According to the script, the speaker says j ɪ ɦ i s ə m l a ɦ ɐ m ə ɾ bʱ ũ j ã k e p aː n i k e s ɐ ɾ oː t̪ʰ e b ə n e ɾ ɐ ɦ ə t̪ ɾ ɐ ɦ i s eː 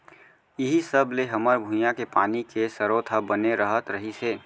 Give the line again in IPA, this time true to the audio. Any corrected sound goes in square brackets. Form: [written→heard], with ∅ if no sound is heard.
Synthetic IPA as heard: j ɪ ɦ i s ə [m→b] l [a→e] ɦ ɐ m ə ɾ bʱ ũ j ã k e p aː n i k e s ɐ ɾ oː t̪ʰ [e→a] b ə n e ɾ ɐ ɦ ə t̪ ɾ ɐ ɦ i s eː

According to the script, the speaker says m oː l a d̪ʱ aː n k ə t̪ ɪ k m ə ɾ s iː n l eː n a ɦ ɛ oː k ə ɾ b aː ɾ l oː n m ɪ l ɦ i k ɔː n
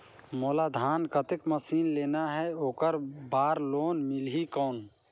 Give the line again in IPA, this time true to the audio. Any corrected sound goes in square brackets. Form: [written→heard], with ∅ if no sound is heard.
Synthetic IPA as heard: m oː l a d̪ʱ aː n k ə t̪ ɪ k m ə [ɾ→∅] s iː n l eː n a ɦ ɛ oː k ə ɾ b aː ɾ l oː n m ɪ l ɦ i k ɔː n

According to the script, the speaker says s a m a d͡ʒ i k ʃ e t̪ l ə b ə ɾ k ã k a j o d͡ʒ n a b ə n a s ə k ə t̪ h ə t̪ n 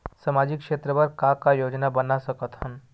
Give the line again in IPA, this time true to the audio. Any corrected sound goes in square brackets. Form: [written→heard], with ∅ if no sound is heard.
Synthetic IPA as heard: s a m a d͡ʒ i k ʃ e t̪ [l→ɾ] ə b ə ɾ k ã k a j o d͡ʒ n a b ə n a s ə k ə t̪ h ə [t̪→∅] n

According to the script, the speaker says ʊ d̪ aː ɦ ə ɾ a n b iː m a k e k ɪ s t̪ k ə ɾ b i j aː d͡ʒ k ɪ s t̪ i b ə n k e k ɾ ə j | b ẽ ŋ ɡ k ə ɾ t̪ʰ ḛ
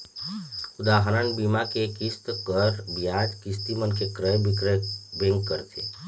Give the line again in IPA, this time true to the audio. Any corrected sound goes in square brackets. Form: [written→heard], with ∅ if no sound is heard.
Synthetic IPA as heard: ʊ d̪ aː ɦ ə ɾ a n b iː m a k e k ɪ s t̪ k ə ɾ b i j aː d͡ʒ k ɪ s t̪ i [b→m] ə n k e k ɾ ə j | b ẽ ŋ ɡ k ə ɾ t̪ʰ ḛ

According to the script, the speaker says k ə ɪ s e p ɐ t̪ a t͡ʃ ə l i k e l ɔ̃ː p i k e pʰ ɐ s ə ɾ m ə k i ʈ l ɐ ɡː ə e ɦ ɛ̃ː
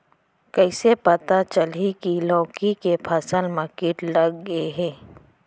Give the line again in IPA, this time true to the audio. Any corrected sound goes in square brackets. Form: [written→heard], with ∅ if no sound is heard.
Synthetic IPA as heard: k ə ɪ s e p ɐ t̪ a t͡ʃ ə l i k [e→i] l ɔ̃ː [p→k] i k e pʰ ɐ s ə [ɾ→l] m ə k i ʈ l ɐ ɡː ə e ɦ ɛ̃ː

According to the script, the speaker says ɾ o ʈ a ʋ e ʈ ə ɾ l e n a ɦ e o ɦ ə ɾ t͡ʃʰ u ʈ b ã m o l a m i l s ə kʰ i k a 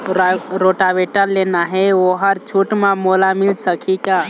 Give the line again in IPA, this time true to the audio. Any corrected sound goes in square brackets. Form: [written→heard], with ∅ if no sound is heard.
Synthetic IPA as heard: ɾ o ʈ a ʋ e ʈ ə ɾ l e n a ɦ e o ɦ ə ɾ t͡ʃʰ u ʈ [b→m] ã m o l a m i l s ə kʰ i k a

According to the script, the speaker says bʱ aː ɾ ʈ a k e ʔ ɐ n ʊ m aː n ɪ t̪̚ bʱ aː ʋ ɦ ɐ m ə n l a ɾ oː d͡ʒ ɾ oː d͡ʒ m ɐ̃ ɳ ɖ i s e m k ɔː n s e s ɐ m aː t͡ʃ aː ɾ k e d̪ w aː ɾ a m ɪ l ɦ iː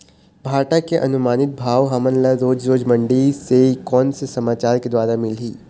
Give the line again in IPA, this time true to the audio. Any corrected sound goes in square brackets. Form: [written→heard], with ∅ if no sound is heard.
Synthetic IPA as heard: bʱ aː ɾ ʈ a k e ʔ ɐ n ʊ m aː n ɪ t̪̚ bʱ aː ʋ ɦ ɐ m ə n l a ɾ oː d͡ʒ ɾ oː d͡ʒ m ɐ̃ ɳ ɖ i s e [m→∅] k ɔː n s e s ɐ m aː t͡ʃ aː ɾ k e d̪ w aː ɾ a m ɪ l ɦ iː

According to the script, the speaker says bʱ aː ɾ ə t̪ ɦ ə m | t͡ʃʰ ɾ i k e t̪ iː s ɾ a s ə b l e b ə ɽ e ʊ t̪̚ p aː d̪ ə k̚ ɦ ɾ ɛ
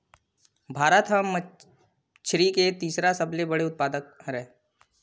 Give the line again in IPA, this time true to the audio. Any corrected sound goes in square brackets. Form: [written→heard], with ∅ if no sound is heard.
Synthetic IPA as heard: bʱ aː ɾ ə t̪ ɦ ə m | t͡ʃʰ ɾ i k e t̪ iː s ɾ a s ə b l e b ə ɽ e ʊ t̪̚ p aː d̪ ə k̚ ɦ ɾ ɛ

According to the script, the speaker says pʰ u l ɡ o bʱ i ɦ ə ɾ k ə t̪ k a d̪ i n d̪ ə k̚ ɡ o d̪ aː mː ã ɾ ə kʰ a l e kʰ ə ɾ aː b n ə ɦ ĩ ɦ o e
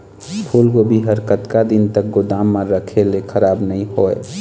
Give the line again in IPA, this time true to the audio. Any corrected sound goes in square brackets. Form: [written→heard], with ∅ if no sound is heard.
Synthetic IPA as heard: pʰ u l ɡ o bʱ i ɦ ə ɾ k ə t̪ k a d̪ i n [d̪→t̪] ə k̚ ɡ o d̪ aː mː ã ɾ ə kʰ [a→e] l e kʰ ə ɾ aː b n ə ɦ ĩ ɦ o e

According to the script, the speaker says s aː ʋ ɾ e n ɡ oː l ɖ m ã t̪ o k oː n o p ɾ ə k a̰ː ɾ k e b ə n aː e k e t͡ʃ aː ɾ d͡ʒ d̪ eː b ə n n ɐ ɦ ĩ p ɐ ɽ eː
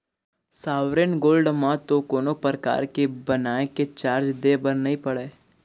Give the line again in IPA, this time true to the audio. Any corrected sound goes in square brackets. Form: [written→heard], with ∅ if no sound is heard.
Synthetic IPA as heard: s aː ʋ ɾ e n ɡ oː l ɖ m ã t̪ o k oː n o p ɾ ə k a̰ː ɾ k e b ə n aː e k e t͡ʃ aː ɾ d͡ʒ d̪ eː b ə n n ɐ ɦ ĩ p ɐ ɽ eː

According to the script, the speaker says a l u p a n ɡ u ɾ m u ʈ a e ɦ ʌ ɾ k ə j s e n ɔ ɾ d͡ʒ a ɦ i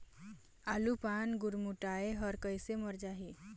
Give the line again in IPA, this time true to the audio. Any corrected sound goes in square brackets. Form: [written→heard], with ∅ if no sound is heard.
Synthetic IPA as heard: a l u p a n ɡ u ɾ m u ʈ a e ɦ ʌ ɾ k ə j s e [n→m] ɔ ɾ d͡ʒ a ɦ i

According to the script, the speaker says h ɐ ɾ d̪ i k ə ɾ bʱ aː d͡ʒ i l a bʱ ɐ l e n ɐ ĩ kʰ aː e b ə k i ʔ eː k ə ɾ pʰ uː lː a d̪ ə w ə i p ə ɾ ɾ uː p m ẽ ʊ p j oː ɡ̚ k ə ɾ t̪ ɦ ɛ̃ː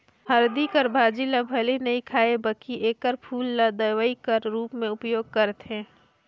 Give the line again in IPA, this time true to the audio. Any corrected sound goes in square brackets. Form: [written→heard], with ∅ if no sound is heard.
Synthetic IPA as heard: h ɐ ɾ d̪ i k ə ɾ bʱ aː d͡ʒ i l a bʱ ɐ l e n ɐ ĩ kʰ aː e b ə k i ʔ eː k ə ɾ pʰ uː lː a d̪ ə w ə i [p→k] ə ɾ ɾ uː p m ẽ ʊ p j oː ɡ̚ k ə ɾ t̪ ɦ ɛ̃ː

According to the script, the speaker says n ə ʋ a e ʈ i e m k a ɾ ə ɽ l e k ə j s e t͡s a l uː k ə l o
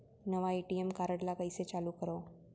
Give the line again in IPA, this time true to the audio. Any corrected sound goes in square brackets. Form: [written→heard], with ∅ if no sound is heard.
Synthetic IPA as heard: n ə ʋ a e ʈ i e m k a ɾ ə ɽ l [e→a] k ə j s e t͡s a l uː k ə [l→ɾ] o

